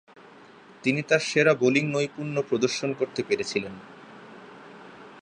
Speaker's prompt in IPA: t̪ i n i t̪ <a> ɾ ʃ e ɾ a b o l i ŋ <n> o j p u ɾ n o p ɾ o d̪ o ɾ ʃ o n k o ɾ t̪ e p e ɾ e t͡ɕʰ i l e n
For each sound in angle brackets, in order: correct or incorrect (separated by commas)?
correct, correct